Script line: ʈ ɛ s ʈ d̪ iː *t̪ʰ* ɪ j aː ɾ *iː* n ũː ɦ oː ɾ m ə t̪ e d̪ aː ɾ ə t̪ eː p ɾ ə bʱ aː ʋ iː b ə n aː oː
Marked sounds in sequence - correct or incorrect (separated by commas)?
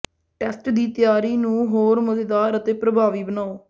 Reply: incorrect, correct